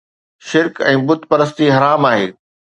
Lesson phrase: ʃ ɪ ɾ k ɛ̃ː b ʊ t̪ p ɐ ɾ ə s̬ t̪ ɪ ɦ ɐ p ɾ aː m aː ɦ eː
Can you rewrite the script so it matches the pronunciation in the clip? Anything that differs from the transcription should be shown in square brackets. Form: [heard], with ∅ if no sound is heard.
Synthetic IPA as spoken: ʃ ɪ ɾ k ɛ̃ː b ʊ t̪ p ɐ ɾ ə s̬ t̪ [i] ɦ ɐ [∅] ɾ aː m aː ɦ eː